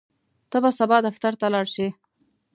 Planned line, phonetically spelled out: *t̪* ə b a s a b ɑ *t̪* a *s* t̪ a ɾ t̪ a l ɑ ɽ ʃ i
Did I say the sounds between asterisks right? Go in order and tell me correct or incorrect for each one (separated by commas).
correct, incorrect, incorrect